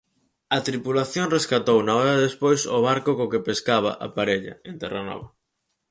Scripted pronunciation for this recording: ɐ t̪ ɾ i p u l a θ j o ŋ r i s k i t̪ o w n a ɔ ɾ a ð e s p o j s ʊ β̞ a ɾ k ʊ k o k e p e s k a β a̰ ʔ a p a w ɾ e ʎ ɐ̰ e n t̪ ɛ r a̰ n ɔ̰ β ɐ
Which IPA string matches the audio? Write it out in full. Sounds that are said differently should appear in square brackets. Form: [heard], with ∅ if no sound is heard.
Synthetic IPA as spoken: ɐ t̪ ɾ i p u l a θ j o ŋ r [e] s k [a] t̪ o w n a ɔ ɾ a ð e s p o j s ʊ β̞ a ɾ k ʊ k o k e p e s k a β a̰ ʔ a p a [∅] ɾ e ʎ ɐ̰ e n t̪ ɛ r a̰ n ɔ̰ β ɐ